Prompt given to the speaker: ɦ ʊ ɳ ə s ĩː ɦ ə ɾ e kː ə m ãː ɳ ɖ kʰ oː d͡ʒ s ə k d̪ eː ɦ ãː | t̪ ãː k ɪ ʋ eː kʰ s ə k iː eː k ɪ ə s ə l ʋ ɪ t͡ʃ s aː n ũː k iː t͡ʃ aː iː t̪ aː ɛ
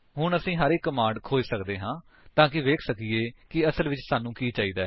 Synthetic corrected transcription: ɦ ʊ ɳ ə s ĩː ɦ ə ɾ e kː ə m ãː ɳ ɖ kʰ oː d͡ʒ s ə k d̪ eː ɦ ãː | t̪ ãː k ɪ ʋ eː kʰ s ə k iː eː k ɪ ə s ə l ʋ ɪ t͡ʃ s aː n ũː k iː t͡ʃ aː iː d̪ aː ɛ